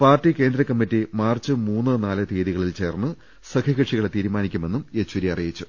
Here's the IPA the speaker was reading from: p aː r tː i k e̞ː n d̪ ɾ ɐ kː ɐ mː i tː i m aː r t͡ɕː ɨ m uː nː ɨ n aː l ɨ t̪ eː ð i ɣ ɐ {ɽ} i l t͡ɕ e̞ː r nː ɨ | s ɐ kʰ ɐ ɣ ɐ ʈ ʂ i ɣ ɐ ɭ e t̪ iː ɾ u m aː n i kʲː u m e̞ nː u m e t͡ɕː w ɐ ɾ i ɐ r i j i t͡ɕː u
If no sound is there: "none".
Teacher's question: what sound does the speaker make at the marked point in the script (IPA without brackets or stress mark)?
ɭ